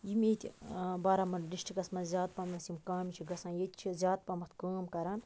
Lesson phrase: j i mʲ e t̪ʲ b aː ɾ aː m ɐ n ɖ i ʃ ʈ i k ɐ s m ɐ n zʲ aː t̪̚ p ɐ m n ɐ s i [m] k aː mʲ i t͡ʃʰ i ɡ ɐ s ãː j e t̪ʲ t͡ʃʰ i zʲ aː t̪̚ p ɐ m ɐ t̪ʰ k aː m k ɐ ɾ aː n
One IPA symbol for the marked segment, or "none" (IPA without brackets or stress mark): m